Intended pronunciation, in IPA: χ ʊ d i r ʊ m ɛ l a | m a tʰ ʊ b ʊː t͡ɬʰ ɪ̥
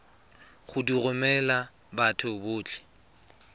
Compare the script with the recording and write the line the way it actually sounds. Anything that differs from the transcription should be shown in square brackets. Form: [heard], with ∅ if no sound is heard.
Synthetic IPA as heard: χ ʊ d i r ʊ m ɛ l a | [b] a tʰ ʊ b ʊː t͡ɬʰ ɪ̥